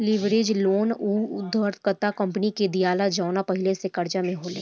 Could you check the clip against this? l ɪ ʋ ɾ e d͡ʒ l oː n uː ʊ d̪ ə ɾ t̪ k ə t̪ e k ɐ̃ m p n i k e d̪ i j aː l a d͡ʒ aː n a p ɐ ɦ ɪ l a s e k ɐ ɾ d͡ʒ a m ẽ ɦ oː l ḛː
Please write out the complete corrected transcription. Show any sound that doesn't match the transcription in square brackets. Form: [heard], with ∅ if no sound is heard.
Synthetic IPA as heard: l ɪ ʋ ɾ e d͡ʒ l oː n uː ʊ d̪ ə ɾ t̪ k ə t̪ [a] k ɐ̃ m p n i k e d̪ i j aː l a d͡ʒ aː n a p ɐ ɦ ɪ l [e] s e k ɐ ɾ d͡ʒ a m ẽ ɦ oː l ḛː